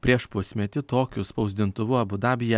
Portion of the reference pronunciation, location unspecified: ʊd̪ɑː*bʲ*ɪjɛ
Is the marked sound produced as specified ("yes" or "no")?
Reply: yes